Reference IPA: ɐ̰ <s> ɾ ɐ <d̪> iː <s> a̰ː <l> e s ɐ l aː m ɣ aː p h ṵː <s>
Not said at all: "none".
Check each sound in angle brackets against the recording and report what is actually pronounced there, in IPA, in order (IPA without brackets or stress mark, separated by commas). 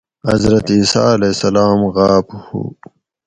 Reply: z, t̪, s, l, none